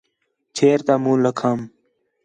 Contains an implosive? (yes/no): no